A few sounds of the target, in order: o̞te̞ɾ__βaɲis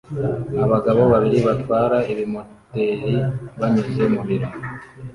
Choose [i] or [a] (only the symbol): i